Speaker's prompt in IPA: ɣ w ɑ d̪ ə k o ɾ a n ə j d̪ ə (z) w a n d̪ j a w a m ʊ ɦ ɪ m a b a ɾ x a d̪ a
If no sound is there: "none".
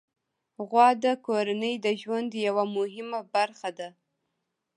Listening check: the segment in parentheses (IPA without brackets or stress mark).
ʒ